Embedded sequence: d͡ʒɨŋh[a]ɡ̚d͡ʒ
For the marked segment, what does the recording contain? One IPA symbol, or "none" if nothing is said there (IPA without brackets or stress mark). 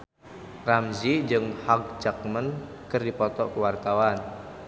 a